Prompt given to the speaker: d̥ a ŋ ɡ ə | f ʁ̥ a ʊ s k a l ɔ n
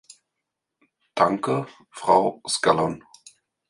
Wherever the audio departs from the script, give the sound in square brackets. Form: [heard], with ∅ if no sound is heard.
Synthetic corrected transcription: d̥ a ŋ [k] ə | f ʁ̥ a ʊ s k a l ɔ n